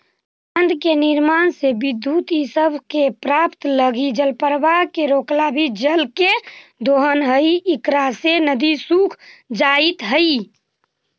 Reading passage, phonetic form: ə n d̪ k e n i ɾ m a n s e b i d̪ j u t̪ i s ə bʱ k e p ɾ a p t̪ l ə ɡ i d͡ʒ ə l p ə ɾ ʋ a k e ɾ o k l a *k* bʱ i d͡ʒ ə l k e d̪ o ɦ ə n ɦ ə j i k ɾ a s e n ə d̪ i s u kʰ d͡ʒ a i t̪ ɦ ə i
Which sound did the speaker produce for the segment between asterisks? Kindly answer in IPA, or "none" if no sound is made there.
none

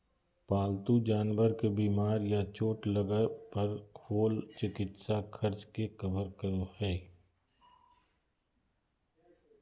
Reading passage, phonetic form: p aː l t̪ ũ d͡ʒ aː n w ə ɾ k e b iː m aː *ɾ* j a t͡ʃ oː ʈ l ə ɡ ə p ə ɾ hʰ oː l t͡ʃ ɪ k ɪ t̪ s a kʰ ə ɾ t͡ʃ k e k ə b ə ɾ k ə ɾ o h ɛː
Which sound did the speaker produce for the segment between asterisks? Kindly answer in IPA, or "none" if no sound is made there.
ɾ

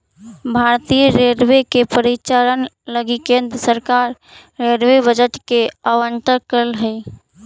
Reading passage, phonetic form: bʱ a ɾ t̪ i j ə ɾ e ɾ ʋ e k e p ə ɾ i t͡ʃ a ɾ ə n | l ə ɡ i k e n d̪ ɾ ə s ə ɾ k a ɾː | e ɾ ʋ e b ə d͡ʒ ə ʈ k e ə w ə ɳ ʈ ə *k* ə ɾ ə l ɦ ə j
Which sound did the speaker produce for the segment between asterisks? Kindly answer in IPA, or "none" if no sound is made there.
k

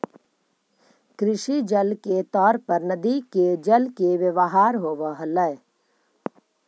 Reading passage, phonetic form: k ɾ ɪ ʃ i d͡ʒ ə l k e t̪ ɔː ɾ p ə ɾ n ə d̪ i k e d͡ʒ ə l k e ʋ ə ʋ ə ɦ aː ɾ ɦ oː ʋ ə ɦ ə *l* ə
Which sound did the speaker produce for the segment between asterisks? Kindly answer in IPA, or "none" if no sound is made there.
l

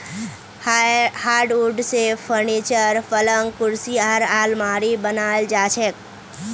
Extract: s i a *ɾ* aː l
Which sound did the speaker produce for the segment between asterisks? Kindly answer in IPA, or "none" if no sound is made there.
ɾ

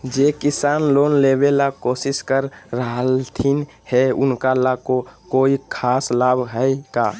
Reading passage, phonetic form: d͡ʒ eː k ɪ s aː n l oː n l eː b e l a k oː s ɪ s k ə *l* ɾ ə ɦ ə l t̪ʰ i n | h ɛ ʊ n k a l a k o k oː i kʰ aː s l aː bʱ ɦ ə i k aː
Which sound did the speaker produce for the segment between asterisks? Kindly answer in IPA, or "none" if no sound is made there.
ɾ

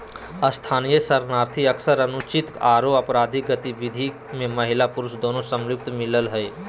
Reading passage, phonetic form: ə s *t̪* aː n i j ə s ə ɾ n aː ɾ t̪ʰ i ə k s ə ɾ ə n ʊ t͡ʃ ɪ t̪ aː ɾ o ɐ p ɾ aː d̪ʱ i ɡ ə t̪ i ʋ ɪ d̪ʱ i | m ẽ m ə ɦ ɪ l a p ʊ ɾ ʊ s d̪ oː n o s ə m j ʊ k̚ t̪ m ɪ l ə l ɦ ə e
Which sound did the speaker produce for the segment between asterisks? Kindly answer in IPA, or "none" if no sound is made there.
t̪ʰ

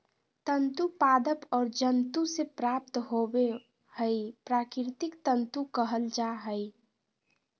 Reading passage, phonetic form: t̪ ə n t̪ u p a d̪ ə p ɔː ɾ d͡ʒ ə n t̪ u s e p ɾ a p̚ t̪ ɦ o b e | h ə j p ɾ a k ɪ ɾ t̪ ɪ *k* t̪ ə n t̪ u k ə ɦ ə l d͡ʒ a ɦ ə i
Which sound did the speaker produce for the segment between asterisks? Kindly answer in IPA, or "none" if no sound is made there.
k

